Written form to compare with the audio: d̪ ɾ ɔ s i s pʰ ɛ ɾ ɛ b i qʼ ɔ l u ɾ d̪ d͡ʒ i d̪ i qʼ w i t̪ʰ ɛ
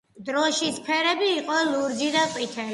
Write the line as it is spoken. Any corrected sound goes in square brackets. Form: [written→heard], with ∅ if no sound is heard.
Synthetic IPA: d̪ ɾ ɔ [s→ʃ] i s pʰ ɛ ɾ ɛ b [i→iː] qʼ ɔ l u ɾ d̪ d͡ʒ i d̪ [i→a] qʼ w i t̪ʰ ɛ

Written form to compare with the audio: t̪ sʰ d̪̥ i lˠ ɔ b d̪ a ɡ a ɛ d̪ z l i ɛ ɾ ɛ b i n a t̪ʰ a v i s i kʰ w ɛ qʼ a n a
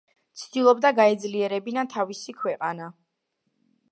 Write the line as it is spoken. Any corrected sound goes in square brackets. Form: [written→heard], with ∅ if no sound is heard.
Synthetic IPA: t̪ sʰ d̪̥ i lˠ ɔ b d̪ a ɡ a ɛ d̪ z l i ɛ ɾ ɛ b i n a t̪ʰ a v i s i kʰ w ɛ qʼ a n a

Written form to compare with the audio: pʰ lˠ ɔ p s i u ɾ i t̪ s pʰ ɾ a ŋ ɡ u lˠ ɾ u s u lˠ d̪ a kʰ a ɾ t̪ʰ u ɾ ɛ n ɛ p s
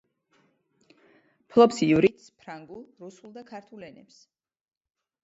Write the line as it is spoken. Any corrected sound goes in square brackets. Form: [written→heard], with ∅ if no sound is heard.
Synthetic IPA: pʰ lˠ ɔ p s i u ɾ i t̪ s pʰ ɾ a ŋ ɡ u lˠ ɾ u s u lˠ d̪ a kʰ a ɾ t̪ʰ u [ɾ→l] ɛ n ɛ p s

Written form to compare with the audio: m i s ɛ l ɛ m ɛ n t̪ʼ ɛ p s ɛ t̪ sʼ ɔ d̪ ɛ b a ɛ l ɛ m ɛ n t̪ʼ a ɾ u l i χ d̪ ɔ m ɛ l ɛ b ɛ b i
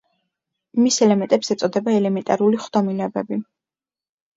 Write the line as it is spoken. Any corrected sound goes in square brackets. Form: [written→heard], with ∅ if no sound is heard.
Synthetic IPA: m i s ɛ l ɛ m ɛ n t̪ʼ ɛ p s ɛ t̪ sʼ ɔ d̪ ɛ b a ɛ l ɛ m ɛ n t̪ʼ a ɾ u l i χ d̪ ɔ m [ɛ→i] l ɛ b ɛ b i

